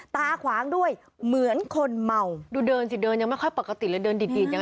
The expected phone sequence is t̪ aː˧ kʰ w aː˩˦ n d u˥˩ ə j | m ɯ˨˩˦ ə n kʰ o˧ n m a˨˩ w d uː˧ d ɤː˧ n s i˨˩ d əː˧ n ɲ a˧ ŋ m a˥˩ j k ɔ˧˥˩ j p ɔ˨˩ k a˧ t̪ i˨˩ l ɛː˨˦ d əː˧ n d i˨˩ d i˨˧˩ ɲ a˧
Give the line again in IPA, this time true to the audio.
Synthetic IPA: t̪ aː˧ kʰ w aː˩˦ ŋ d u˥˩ ə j | m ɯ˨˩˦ ə n kʰ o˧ n m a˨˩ w d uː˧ d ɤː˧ n s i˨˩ d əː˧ n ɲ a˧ ŋ m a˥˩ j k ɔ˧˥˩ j p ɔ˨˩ k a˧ t̪ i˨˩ l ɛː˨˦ d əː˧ n d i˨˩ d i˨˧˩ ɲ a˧